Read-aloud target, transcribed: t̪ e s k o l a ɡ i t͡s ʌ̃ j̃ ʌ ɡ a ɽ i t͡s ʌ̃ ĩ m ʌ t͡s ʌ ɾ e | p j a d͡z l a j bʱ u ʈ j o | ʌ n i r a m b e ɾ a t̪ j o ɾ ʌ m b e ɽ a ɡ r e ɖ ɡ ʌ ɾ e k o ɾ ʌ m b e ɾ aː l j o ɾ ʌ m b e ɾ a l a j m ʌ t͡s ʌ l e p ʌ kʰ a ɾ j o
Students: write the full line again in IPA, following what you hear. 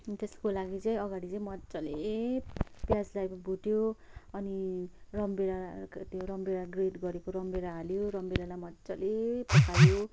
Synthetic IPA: t̪ e s k o l a ɡ i t͡s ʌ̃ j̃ ʌ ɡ a ɽ i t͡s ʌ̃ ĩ m ʌ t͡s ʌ l e | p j a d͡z l a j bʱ u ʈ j o | ʌ n i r ʌ m b e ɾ a t̪ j o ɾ ʌ m b e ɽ a ɡ r e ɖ ɡ ʌ ɾ e k o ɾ ʌ m b e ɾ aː l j o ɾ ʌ m b e ɾ a l a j m ʌ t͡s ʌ l e p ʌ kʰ a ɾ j o

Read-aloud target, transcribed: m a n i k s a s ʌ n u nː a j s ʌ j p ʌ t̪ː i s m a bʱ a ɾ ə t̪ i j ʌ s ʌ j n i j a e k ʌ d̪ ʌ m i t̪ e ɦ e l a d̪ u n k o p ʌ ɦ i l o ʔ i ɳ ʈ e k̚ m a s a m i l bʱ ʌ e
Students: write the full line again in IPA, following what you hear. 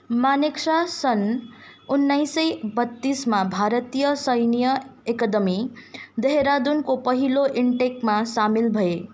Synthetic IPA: m a n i k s a s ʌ n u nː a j s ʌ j b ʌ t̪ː i s m a bʱ a ɾ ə t̪ i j ʌ s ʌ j n i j ʌ e k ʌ d̪ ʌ m i d̪ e ɦ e ɾ a d̪ u n k o p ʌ ɦ i l o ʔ i ɳ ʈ e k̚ m a s a m i l bʱ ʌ e

